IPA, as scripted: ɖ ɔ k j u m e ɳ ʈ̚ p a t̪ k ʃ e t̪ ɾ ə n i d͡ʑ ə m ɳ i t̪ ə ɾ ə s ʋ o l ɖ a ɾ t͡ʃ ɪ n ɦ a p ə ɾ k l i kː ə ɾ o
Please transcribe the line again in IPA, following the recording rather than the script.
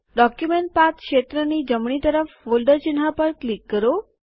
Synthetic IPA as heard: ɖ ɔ k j u m e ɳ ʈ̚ p a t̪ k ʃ e t̪ ɾ ə n i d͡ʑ ə m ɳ i t̪ ə ɾ ə f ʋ o l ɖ ə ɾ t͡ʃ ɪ n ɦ a p ə ɾ k l i kː ə ɾ o

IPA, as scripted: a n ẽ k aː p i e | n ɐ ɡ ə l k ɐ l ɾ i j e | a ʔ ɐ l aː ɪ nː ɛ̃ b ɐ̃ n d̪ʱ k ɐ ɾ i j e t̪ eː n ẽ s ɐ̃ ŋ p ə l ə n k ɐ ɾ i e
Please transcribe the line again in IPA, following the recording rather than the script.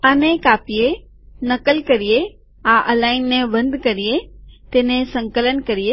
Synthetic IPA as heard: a n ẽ k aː p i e | n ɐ k ə l k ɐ ɾ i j e | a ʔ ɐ l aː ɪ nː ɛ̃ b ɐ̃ n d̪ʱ k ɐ ɾ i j e t̪ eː n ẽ s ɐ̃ ŋ k ə l ə n k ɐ ɾ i e

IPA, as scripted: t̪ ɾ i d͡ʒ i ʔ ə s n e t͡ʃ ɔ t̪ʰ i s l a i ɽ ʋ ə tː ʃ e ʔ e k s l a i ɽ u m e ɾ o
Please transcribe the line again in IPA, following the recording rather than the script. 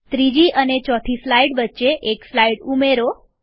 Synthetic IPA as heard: t̪ ɾ i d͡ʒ i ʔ ə n e t͡ʃ ɔ t̪ʰ i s l a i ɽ ʋ ə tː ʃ e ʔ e k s l a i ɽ u m e ɾ o

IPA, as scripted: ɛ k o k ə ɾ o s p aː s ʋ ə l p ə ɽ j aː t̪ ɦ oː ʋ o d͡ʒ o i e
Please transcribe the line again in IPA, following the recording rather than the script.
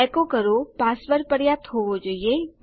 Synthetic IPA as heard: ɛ k o k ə ɾ o p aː s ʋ ə ɾ p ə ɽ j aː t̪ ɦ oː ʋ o d͡ʒ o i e

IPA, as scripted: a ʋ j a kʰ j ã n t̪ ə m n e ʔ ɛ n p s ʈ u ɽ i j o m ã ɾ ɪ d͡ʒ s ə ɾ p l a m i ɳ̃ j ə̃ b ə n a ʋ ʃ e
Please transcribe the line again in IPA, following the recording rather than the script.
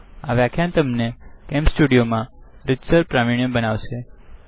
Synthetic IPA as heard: a ʋ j a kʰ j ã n t̪ ə m n e k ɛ m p s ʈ u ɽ i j o m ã ɾ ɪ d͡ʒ s ə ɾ p ɾ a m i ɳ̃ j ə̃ b ə n a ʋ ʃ e

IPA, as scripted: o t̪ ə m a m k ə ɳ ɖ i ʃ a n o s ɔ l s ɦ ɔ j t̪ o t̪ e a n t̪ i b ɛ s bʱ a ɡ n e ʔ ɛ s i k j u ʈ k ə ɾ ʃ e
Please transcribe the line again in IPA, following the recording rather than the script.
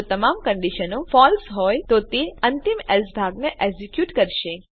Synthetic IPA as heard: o t̪ ə m a m k ə ɳ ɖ i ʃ ə n o f ɔ l s ɦ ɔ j t̪ o t̪ e ə n t̪ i m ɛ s bʱ a ɡ n e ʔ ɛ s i k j u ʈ k ə ɾ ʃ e

